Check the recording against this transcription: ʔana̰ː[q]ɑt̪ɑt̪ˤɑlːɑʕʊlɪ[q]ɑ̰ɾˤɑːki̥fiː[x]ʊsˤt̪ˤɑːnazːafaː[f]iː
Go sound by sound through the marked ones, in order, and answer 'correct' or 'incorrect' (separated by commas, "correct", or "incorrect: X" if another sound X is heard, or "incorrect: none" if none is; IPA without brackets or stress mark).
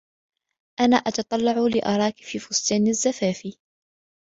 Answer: incorrect: ʔ, incorrect: ʔ, incorrect: f, correct